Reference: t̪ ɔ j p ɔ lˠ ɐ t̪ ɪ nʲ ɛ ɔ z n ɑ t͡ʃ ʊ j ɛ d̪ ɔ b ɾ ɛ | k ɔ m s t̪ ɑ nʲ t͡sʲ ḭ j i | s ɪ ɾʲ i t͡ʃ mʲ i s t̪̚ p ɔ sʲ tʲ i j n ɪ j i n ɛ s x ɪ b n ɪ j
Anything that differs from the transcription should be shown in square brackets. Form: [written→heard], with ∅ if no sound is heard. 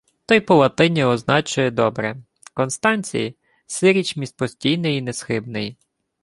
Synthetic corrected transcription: t̪ ɔ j p ɔ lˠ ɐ t̪ ɪ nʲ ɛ ɔ z n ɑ t͡ʃ ʊ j ɛ d̪ ɔ b ɾ ɛ | k ɔ [m→n] s t̪ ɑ nʲ t͡sʲ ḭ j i | s ɪ ɾʲ i t͡ʃ mʲ i s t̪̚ p ɔ sʲ tʲ i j n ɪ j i n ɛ s x ɪ b n ɪ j